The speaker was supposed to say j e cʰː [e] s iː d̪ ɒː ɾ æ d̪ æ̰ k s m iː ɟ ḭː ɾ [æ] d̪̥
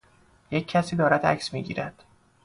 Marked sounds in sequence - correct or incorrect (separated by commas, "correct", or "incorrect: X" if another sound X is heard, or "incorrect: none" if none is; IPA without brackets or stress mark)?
incorrect: æ, correct